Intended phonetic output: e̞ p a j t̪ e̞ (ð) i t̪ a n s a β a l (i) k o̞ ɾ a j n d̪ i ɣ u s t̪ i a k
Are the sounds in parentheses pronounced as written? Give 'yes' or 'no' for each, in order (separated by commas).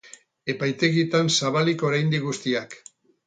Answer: no, yes